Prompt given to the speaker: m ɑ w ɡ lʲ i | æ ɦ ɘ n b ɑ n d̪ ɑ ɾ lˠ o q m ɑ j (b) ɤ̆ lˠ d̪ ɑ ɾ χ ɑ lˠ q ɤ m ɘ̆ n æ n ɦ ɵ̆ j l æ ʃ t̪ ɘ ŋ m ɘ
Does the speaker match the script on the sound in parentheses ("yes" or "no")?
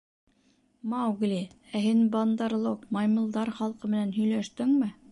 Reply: no